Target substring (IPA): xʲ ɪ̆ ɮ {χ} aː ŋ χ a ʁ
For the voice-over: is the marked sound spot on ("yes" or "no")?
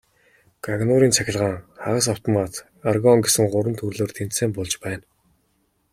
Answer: no